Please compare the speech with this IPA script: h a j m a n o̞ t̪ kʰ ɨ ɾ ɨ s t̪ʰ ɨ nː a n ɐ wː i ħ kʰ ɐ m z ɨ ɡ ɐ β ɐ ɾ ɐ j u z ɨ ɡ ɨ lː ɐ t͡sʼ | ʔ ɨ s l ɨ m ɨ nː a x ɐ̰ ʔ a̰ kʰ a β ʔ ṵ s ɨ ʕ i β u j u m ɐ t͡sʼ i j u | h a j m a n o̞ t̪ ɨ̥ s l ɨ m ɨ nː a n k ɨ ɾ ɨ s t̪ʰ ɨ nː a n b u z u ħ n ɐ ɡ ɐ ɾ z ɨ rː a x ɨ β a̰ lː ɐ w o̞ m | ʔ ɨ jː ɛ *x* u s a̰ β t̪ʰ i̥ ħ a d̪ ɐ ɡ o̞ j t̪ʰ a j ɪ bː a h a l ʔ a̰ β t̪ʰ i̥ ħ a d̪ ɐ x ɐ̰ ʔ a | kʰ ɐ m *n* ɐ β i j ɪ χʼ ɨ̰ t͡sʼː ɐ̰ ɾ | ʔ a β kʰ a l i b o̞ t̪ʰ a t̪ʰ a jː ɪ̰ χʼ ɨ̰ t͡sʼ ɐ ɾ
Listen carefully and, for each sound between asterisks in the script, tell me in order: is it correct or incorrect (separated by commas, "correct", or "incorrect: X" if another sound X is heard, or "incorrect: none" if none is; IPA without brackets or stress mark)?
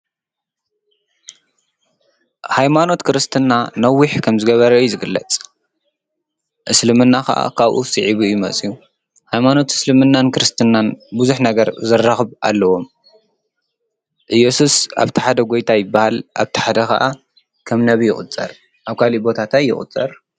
incorrect: s, correct